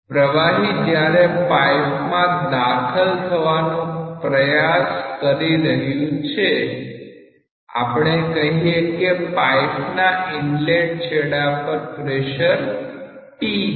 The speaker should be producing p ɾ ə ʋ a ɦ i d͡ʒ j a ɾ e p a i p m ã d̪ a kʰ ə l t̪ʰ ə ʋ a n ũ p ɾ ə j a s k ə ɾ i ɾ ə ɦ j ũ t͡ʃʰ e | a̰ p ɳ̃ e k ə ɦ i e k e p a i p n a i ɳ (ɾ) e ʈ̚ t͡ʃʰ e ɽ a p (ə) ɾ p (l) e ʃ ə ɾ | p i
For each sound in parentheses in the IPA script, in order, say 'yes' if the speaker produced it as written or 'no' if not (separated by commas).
no, yes, no